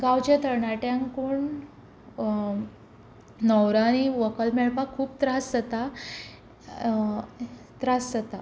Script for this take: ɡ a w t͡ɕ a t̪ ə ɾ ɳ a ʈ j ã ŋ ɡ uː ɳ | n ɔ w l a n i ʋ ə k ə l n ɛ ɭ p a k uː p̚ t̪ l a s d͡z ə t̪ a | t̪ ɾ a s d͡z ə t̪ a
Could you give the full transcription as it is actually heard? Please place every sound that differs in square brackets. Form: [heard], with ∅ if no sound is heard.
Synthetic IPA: ɡ a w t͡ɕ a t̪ ə ɾ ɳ a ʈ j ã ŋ [k] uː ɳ | n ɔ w [ɾ] a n i ʋ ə k ə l [m] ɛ ɭ p a [kʰ] uː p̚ t̪ [ɾ] a s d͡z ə t̪ a | t̪ ɾ a s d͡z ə t̪ a

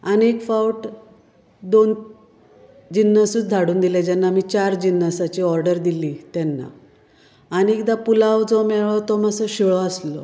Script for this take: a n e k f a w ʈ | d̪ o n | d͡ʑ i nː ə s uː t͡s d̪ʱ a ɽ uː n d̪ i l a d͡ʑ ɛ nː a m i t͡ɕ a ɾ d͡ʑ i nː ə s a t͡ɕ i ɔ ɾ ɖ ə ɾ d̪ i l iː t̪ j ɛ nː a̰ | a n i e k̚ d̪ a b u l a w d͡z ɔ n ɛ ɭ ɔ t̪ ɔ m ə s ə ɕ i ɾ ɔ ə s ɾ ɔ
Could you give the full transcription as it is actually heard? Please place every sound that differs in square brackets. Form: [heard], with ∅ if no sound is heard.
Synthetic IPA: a n e k f a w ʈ | d̪ o n | d͡ʑ i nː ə s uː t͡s d̪ʱ a ɽ uː n d̪ i l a d͡ʑ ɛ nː a m i t͡ɕ a ɾ d͡ʑ i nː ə s a t͡ɕ i ɔ ɾ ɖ ə ɾ d̪ i l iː t̪ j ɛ nː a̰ | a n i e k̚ d̪ a [p] u l a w d͡z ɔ [m] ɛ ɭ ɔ t̪ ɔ m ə s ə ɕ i [ɭ] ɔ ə s [l] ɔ

